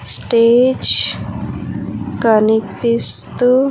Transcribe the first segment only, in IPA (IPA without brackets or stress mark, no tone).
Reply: s